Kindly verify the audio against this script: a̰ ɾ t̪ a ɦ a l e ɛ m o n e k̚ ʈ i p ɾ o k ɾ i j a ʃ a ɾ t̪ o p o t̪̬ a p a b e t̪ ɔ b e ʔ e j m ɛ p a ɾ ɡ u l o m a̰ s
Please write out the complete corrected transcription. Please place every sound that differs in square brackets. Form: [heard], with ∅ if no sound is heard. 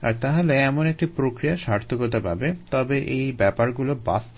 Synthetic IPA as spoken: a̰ ɾ t̪ a ɦ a l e ɛ m o n e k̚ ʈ i p ɾ o k ɾ i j a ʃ a ɾ [t̪ʰ] o [k] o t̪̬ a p a b e t̪ ɔ b e ʔ e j [b] ɛ p a ɾ ɡ u l o [b] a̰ s